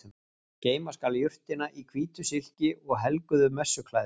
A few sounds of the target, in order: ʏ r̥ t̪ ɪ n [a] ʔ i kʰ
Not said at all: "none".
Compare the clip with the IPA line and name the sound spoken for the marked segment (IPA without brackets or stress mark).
a